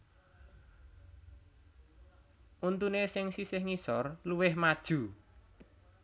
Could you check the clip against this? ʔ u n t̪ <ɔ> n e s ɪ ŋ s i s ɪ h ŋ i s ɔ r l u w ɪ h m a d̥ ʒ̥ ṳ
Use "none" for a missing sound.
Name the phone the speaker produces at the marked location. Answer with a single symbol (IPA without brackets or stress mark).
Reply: u